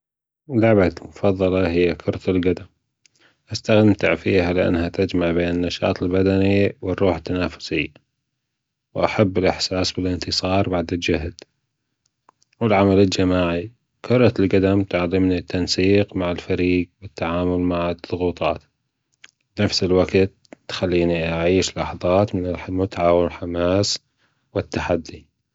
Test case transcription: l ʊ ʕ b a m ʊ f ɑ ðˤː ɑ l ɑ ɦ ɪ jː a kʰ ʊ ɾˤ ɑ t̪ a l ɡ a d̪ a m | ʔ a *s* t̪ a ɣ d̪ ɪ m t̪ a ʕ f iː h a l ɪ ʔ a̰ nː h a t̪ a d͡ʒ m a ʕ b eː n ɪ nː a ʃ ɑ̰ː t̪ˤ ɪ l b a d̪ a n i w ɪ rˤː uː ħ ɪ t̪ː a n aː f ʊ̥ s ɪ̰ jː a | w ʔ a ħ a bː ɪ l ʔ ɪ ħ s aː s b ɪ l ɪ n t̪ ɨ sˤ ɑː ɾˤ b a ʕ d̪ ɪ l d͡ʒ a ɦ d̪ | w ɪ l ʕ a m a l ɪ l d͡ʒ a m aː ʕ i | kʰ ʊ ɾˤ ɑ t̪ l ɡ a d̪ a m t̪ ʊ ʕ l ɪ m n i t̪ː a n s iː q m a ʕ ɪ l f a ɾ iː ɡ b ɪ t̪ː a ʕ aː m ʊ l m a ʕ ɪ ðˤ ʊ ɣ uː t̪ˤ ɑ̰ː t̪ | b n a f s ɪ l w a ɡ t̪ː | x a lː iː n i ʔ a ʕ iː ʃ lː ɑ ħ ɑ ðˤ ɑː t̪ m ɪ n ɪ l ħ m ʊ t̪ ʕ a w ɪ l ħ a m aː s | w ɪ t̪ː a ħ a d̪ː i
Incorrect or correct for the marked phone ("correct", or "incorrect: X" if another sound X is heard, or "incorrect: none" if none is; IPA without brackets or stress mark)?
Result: correct